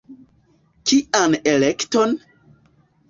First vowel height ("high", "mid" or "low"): high